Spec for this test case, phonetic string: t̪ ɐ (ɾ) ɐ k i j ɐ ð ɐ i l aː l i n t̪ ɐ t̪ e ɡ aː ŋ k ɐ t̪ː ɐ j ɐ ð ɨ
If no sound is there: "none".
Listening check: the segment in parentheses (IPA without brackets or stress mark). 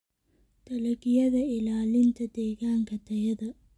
l